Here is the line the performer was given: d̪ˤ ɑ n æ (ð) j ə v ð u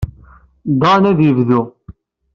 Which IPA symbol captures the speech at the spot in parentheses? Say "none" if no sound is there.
ð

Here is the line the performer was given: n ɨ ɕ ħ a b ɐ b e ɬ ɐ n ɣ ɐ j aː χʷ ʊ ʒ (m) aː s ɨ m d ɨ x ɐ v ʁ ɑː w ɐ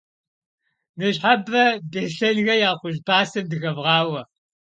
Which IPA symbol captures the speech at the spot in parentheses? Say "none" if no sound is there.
b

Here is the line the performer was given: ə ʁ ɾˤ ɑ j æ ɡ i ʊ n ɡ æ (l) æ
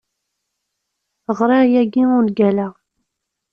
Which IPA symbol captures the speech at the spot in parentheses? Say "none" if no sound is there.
l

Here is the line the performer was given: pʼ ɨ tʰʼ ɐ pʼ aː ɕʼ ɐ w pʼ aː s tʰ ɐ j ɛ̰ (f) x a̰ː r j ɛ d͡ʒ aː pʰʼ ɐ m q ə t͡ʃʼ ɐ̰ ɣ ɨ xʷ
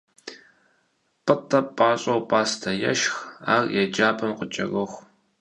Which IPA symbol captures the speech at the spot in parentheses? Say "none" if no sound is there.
ʃ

